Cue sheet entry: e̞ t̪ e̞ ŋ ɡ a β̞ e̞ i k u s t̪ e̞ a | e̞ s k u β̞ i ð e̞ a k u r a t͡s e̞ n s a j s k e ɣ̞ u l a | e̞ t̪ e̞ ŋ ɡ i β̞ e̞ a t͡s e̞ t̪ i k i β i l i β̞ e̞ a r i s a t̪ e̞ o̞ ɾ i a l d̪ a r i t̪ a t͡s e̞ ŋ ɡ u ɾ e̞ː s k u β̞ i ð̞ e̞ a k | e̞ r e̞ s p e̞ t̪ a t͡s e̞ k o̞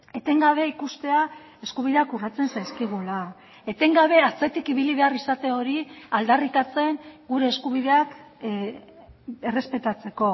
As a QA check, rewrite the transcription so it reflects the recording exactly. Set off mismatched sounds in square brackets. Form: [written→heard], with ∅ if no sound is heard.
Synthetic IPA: e̞ t̪ e̞ ŋ ɡ a β̞ e̞ i k u s t̪ e̞ a | e̞ s k u β̞ i ð e̞ a k u r a t͡s e̞ n s a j s k [e→i] ɣ̞ u l a | e̞ t̪ e̞ ŋ ɡ [i→a] β̞ e̞ a t͡s e̞ t̪ i k i β i l i β̞ e̞ a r i s a t̪ e̞ o̞ ɾ i a l d̪ a r i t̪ a t͡s e̞ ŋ ɡ u ɾ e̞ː s k u β̞ i ð̞ e̞ a k | e̞ r e̞ s p e̞ t̪ a t͡s e̞ k o̞